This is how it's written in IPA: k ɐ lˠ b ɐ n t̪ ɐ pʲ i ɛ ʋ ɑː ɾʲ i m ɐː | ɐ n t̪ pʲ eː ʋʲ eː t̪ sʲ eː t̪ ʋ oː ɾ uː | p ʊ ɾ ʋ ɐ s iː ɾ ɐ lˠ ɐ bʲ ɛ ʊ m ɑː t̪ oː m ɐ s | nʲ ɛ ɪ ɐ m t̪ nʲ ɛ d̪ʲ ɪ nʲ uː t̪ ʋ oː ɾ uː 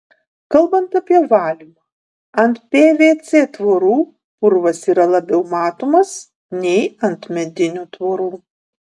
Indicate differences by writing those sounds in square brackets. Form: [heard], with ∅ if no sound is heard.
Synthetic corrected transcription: k ɐ lˠ b ɐ n t̪ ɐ pʲ i ɛ ʋ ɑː [lʲ] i m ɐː | ɐ n t̪ pʲ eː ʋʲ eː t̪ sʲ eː t̪ ʋ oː ɾ uː | p ʊ ɾ ʋ ɐ s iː ɾ ɐ lˠ ɐ bʲ ɛ ʊ m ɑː t̪ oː m ɐ s | nʲ ɛ ɪ ɐ [n] t̪ [mʲ] ɛ d̪ʲ ɪ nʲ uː t̪ ʋ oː ɾ uː